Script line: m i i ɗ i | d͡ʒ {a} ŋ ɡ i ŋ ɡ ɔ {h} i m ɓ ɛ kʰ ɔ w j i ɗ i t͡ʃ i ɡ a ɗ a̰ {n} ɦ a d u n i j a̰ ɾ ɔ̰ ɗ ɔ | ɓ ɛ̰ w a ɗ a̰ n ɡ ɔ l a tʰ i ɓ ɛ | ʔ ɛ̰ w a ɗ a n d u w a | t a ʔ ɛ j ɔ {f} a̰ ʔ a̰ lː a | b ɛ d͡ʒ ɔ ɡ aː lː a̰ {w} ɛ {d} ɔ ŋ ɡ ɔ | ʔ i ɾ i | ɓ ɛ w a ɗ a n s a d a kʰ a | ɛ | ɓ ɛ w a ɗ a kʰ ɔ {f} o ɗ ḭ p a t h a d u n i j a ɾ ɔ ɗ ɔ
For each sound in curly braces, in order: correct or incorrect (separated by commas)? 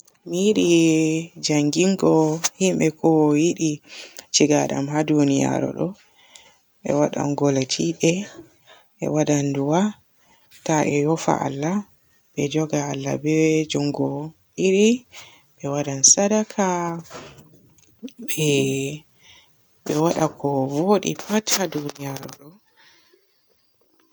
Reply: correct, correct, incorrect, correct, incorrect, incorrect, incorrect